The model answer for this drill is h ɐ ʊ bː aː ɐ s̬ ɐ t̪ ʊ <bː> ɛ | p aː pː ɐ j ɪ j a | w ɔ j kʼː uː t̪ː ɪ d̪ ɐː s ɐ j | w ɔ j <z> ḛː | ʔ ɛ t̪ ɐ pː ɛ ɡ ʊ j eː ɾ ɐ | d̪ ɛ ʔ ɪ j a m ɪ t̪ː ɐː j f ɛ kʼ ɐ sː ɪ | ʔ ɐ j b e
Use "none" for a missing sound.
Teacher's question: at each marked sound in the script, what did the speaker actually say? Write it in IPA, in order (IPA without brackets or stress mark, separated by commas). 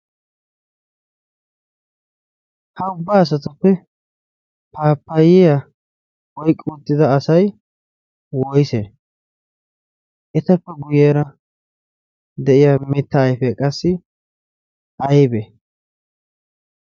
pː, s